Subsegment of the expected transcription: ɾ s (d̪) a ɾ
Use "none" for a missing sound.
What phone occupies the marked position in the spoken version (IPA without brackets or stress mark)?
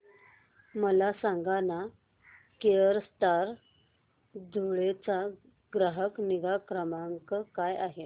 t̪